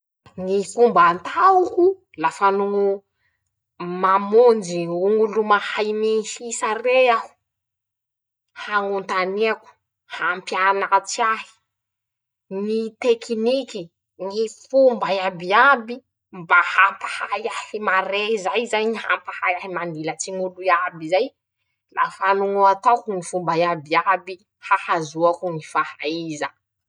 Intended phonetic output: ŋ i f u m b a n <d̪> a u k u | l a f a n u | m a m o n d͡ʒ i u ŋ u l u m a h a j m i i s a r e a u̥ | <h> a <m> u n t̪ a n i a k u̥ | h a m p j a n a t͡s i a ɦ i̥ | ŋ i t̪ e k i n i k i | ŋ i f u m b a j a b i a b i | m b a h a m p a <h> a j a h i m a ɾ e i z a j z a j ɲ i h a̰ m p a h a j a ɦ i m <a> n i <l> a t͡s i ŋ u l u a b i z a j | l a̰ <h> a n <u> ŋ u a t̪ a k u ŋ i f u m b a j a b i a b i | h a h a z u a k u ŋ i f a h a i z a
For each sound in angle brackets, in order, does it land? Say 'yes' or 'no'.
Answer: no, yes, no, yes, yes, yes, no, yes

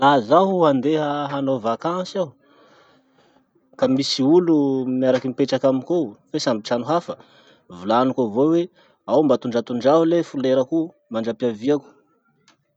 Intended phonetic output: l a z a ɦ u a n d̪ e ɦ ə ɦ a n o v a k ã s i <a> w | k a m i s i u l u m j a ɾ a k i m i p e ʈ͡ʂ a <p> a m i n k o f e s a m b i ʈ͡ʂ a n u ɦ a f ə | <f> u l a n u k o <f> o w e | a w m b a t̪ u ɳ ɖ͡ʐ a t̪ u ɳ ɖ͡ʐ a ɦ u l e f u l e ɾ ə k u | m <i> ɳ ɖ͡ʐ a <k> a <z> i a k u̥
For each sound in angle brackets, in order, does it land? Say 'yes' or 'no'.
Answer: yes, no, no, no, no, no, no

